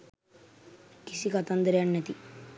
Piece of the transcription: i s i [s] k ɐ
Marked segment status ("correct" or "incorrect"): incorrect